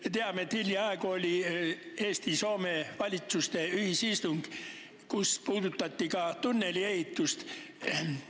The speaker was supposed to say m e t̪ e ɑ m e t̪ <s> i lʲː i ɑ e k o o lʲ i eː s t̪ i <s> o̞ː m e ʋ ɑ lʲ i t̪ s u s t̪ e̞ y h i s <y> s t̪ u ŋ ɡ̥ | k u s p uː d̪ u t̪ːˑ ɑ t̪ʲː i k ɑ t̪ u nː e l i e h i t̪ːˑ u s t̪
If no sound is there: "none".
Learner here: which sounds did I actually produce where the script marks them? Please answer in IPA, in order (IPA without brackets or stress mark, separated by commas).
h, s, i